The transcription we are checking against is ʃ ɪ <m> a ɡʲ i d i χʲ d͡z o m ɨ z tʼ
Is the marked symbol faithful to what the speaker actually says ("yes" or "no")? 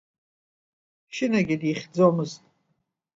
no